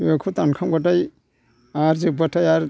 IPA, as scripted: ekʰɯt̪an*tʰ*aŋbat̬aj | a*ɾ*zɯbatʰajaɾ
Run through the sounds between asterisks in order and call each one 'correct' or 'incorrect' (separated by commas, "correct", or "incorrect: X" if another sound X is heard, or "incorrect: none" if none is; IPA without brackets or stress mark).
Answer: incorrect: kʰ, correct